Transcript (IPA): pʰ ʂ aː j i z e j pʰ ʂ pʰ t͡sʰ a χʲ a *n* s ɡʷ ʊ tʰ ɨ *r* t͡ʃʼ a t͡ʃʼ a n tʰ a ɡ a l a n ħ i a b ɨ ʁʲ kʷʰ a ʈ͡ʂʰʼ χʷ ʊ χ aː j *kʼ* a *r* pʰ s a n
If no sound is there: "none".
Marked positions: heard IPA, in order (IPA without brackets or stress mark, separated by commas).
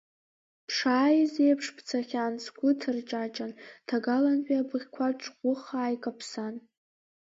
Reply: n, r, kʼ, none